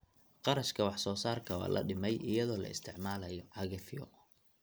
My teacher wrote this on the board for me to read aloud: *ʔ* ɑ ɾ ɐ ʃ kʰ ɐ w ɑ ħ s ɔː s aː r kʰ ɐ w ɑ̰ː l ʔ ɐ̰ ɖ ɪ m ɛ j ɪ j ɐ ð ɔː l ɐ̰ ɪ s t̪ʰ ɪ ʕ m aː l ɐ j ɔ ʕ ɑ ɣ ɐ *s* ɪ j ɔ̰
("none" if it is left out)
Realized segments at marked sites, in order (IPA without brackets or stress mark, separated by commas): q, f